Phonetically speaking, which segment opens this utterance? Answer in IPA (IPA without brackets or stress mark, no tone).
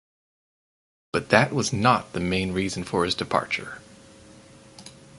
b̥